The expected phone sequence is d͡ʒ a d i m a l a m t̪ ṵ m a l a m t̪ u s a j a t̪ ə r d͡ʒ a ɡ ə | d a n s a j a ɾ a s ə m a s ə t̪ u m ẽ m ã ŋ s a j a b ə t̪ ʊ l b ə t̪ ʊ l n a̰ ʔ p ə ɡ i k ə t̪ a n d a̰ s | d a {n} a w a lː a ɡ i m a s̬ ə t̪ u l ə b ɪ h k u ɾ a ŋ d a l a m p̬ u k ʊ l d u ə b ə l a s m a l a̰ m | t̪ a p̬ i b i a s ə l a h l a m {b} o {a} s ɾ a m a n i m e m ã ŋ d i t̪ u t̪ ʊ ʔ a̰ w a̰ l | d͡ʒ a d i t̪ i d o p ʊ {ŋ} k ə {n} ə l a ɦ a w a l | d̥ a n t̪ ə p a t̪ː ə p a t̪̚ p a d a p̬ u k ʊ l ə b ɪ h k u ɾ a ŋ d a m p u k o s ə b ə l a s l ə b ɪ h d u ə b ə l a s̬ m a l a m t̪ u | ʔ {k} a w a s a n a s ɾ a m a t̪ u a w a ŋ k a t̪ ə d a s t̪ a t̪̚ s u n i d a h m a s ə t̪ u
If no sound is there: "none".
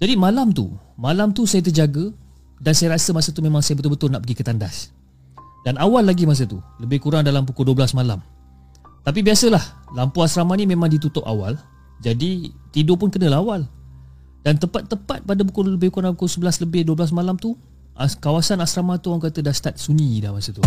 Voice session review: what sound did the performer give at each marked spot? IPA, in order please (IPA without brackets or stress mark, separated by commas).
n, p, a, n, n, k